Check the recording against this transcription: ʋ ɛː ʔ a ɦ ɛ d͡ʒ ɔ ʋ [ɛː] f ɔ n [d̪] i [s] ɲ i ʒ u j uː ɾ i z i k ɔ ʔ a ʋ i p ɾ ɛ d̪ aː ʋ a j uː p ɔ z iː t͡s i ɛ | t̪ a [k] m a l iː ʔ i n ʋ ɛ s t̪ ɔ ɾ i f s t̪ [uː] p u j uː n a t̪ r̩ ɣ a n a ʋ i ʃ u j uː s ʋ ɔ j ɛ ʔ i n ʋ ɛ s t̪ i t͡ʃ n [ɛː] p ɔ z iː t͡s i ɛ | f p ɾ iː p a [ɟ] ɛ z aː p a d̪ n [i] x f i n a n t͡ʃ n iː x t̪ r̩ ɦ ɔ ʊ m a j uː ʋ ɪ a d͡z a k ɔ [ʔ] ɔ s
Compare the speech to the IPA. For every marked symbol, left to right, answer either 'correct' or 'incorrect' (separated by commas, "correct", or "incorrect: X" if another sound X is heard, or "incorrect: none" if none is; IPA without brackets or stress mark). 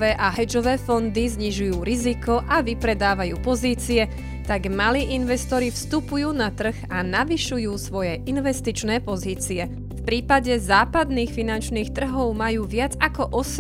correct, correct, incorrect: z, incorrect: ɡ, incorrect: u, correct, correct, incorrect: iː, correct